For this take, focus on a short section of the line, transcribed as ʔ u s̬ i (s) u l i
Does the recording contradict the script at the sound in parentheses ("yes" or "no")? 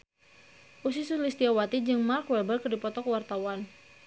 no